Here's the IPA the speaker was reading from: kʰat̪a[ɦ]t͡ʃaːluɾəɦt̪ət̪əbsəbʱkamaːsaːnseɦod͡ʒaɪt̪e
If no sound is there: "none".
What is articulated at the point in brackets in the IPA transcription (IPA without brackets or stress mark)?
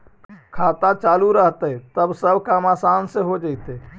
none